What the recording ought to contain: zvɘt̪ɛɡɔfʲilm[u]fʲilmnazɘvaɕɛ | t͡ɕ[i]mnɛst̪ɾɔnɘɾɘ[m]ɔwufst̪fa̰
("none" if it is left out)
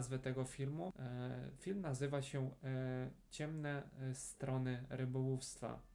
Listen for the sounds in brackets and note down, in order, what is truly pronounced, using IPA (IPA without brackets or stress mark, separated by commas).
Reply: u, ɛ, b